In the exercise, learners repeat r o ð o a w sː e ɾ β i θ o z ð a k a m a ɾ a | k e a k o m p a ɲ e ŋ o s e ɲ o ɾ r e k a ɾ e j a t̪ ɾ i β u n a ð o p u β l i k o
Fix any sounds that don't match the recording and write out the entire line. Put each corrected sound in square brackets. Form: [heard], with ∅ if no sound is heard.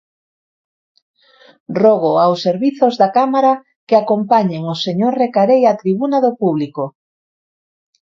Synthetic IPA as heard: r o [ɣ] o a w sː e ɾ β i θ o z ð a k a m a ɾ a | k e a k o m p a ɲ e ŋ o s e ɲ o ɾ r e k a ɾ e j a t̪ ɾ i β u n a ð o p u β l i k o